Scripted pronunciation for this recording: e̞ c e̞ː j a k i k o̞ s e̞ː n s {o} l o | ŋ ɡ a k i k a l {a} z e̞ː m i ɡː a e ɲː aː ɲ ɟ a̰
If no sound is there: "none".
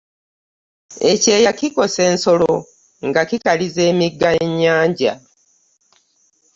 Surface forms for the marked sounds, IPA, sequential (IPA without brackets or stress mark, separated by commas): o, i